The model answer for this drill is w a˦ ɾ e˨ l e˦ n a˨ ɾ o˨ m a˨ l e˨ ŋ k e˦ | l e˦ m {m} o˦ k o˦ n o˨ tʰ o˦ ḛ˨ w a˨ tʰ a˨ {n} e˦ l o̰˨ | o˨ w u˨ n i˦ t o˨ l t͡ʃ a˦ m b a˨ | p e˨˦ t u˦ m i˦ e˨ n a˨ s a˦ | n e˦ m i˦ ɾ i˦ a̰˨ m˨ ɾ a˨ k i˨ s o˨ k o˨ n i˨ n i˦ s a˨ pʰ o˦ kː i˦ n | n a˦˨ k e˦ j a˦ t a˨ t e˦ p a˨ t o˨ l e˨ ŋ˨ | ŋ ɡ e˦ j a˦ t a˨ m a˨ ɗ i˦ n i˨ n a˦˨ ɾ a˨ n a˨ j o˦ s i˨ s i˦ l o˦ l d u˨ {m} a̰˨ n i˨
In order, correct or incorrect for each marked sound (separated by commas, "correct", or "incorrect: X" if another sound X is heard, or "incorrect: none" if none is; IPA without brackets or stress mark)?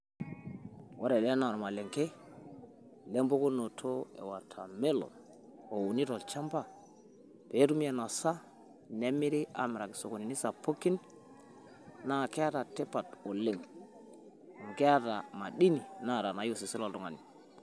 incorrect: b, incorrect: m, incorrect: ŋ